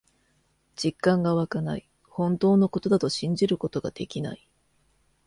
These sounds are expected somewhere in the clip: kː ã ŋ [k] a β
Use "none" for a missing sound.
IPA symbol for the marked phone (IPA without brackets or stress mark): ɡ